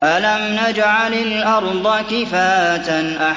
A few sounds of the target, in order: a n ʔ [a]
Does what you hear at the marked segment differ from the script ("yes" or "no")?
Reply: no